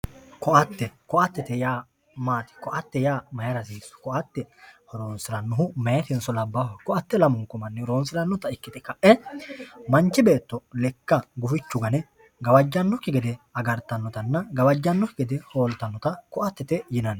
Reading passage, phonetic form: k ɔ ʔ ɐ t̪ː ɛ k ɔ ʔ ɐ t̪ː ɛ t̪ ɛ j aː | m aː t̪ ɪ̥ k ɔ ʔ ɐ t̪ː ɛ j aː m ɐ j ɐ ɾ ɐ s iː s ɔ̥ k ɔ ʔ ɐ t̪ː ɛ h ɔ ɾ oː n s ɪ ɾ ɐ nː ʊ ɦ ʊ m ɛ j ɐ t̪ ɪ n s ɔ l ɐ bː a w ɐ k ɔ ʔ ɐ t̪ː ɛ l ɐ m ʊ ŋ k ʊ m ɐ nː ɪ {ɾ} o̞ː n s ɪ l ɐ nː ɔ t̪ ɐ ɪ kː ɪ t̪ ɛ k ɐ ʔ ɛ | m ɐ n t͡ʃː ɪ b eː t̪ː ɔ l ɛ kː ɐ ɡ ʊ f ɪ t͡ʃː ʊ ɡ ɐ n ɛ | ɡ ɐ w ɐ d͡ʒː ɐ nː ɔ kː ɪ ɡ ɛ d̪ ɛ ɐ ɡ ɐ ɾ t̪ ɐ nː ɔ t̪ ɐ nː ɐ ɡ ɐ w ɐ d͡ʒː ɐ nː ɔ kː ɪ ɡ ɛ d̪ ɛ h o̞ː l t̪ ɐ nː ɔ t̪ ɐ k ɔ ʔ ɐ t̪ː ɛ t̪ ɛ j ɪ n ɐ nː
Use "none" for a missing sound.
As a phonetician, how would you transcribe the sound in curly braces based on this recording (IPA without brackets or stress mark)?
ɾ